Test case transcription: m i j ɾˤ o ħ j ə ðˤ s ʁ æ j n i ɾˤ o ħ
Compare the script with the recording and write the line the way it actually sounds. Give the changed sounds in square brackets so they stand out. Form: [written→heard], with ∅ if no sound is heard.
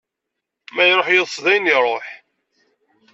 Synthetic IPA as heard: m [i→æ] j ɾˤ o ħ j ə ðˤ s [ʁ→ð] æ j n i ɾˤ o ħ